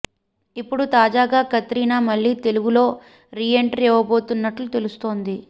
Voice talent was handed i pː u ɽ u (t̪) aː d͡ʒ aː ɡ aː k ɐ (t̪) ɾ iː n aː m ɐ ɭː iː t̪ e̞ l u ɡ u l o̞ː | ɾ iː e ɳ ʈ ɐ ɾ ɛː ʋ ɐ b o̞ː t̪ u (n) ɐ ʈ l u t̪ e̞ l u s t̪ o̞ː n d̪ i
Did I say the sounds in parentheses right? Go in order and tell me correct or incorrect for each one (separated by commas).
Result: correct, correct, incorrect